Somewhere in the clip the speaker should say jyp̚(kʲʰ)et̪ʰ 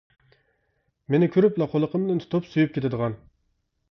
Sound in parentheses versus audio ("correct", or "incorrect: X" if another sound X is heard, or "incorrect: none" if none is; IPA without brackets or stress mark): incorrect: kʲ